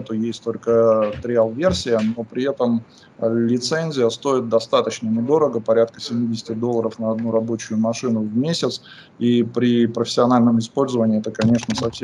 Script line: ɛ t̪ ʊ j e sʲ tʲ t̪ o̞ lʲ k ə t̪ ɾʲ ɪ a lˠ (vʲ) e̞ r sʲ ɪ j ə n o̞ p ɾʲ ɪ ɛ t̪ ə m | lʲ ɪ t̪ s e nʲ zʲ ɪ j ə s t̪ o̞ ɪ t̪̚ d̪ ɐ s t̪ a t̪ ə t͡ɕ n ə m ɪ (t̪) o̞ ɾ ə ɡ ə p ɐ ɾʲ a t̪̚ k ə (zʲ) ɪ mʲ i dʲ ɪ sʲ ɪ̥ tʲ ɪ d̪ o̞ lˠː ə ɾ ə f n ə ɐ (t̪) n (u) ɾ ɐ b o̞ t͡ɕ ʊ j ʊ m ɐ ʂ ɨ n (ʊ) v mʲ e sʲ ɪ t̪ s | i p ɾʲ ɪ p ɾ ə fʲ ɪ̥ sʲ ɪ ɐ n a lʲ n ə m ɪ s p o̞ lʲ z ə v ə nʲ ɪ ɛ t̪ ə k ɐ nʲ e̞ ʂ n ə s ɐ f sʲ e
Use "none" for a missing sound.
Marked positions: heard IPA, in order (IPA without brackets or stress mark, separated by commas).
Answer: vʲ, d̪, sʲ, d̪, u, ʊ